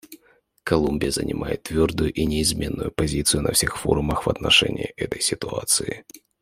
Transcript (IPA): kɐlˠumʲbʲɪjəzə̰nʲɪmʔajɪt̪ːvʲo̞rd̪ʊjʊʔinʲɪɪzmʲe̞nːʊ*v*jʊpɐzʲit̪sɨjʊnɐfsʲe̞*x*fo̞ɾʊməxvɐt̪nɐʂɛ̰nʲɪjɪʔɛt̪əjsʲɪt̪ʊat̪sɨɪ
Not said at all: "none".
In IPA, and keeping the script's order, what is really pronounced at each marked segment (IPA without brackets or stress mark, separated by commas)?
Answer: none, x